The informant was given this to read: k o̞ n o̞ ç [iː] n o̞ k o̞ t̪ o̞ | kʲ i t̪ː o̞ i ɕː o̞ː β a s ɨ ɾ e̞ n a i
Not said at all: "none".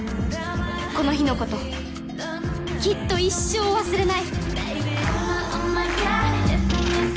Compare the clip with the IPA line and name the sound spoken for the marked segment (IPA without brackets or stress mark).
i